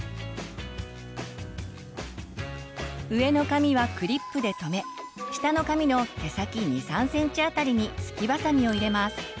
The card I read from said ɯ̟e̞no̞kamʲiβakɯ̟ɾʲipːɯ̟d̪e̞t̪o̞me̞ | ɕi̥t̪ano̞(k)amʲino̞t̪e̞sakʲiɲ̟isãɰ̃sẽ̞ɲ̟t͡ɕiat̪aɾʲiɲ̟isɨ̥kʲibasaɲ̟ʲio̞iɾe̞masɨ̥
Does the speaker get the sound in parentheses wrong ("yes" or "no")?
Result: no